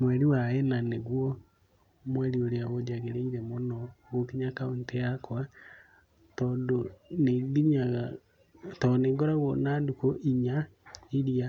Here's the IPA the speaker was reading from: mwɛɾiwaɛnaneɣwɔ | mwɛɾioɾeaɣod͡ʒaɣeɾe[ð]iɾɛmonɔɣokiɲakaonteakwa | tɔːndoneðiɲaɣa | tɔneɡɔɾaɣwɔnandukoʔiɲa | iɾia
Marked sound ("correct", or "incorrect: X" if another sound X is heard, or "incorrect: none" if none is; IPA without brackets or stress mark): incorrect: none